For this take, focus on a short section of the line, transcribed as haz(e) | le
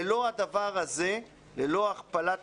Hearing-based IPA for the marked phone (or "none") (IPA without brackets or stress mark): e